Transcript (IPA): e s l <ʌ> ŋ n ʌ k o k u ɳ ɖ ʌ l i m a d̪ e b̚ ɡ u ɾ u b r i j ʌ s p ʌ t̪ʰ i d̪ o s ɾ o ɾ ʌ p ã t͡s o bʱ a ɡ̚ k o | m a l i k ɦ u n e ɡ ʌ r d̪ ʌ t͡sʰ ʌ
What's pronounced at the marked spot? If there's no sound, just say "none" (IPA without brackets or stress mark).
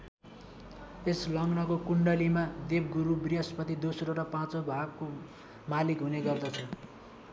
ʌ